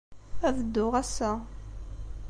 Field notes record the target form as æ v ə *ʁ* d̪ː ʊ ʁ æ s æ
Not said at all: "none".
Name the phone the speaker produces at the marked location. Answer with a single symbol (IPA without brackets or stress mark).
none